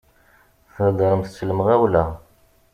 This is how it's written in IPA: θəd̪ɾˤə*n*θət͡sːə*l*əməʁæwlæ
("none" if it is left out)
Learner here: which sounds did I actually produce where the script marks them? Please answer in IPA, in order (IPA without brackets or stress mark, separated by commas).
m, l